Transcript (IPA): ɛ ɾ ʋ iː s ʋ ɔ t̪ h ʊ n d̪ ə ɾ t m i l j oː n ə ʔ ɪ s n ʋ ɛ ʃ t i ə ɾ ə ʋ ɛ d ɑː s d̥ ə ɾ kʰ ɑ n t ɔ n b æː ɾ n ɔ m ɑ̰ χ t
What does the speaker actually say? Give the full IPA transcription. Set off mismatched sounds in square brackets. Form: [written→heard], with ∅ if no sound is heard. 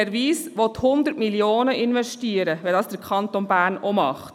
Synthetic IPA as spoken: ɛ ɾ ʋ iː s ʋ ɔ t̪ h ʊ n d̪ ə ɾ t m i l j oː n ə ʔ ɪ [s→∅] n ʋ ɛ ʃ t i ə ɾ ə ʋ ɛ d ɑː s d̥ ə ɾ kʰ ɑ n t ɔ n b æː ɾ n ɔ m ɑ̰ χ t

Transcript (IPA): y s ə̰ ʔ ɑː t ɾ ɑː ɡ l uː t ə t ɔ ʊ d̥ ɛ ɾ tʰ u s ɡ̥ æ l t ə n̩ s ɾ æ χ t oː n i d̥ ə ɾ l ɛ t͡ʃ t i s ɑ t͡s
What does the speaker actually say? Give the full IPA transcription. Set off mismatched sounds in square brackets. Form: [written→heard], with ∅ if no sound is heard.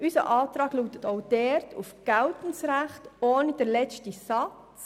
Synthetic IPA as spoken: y s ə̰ ʔ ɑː t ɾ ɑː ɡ l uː t ə t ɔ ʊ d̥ ɛ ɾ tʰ u [s→f] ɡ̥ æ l t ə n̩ s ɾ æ χ t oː n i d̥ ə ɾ l ɛ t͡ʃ t i s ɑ t͡s

